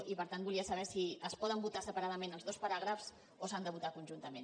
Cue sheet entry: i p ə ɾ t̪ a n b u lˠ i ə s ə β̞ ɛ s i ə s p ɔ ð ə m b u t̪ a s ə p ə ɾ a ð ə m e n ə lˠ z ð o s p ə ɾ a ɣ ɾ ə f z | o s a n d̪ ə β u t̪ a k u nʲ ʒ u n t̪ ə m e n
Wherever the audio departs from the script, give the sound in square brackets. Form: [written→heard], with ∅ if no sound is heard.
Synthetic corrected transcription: i p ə ɾ t̪ a n b u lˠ i ə s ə β̞ ɛ s i ə s p ɔ ð ə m b u t̪ a s ə p ə ɾ a ð ə m e n ə lˠ z ð o s p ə ɾ a ɣ ɾ ə f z | o s a n d̪ ə β u t̪ a k u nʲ ʒ u n t̪ ə m e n

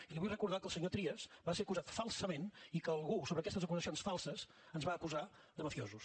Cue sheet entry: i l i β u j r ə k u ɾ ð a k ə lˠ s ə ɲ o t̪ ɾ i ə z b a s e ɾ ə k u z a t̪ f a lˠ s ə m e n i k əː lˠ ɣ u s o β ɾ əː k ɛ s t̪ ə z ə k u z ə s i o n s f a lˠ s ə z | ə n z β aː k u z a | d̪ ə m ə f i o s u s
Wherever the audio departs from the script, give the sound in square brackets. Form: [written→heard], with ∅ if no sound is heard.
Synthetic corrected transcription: i l i β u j r ə k u ɾ ð a k ə lˠ s ə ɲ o t̪ ɾ i ə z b a s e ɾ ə k u z a t̪ f a lˠ s ə m e n i k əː lˠ ɣ u s o β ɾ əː k ɛ s t̪ ə z ə k u z ə s i o n s f a lˠ s ə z | ə n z β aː k u z a | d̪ ə m ə f i o [s→z] u s

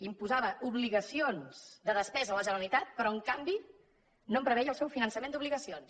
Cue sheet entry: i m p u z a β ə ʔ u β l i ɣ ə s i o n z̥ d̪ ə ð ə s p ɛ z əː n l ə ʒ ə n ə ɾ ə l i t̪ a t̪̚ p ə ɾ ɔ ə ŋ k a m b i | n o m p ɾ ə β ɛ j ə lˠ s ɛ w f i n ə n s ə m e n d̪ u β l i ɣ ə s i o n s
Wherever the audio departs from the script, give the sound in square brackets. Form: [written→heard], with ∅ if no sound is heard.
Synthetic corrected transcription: i m p u z a β ə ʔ u β l i ɣ ə s i o n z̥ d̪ ə ð ə s p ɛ z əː [n→∅] l ə ʒ ə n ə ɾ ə l i t̪ a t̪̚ p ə ɾ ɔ ə ŋ k a m b i | n o m p ɾ ə β ɛ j ə lˠ s ɛ w f i n ə n s ə m e n d̪ u β l i ɣ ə s i o n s

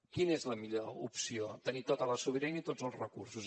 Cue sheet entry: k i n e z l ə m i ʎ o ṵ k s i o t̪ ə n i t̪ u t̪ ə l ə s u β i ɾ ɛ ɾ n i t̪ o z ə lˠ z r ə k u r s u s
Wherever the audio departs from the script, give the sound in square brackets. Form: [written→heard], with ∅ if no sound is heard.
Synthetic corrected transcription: k i n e z l ə m i ʎ o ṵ [k→p] s i o t̪ ə n i t̪ [u→o] t̪ ə l ə s u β i ɾ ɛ [ɾ→∅] n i t̪ o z ə lˠ z r ə k u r s u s

